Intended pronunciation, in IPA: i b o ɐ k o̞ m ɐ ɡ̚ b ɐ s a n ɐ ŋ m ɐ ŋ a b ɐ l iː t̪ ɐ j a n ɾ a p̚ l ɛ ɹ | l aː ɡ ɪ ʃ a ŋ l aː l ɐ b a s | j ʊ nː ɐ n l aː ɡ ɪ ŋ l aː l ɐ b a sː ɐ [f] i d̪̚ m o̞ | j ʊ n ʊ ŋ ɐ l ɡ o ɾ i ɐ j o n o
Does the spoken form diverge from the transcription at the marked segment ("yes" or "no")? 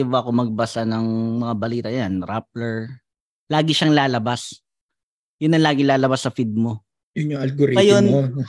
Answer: no